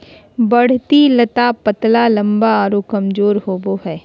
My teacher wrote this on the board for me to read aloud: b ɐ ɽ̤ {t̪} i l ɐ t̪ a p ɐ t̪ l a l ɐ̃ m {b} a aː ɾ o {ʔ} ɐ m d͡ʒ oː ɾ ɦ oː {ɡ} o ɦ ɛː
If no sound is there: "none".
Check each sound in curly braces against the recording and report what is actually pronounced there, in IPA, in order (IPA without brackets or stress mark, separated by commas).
t̪, b, k, b